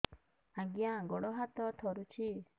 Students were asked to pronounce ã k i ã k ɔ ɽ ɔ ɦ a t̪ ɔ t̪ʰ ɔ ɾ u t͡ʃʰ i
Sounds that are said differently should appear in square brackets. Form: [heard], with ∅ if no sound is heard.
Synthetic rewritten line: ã [ɡ] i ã [ɡ] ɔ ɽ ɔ ɦ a t̪ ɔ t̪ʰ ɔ ɾ u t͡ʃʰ i